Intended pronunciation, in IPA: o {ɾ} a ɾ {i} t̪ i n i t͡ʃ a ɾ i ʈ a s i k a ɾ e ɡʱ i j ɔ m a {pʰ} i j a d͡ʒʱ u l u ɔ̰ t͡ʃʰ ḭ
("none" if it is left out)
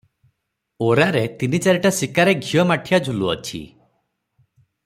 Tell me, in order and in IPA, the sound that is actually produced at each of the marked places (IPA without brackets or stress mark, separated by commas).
ɾ, e, ʈʰ